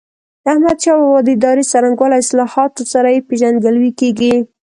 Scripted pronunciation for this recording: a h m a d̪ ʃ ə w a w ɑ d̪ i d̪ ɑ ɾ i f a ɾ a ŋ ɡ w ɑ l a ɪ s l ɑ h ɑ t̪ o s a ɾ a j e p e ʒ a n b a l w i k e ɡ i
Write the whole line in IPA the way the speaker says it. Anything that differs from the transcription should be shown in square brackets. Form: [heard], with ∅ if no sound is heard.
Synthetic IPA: a h m a d̪ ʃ [ɑ] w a w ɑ d̪ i d̪ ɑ ɾ i [s] a ɾ a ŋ ɡ w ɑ l a ɪ s l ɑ h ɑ t̪ o s a ɾ a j e p e ʒ a n [ɡ] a l w i k e ɡ i